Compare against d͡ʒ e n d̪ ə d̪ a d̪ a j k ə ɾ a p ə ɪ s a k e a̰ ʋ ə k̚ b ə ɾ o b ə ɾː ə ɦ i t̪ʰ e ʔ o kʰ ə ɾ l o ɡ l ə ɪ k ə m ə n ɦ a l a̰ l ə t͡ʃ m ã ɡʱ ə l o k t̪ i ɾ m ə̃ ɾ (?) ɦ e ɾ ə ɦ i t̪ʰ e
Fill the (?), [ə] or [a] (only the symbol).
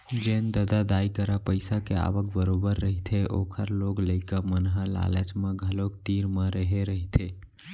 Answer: ə